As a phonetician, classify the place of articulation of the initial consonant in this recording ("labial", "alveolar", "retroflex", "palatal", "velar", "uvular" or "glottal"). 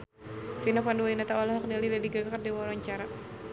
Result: labial